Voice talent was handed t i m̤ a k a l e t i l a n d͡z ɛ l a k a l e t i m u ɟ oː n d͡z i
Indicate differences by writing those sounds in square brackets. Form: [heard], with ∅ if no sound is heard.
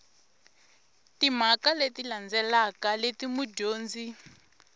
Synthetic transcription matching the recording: t i m̤ a k a l e t i l a n d͡z ɛ l a k a l e t i m u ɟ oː n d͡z i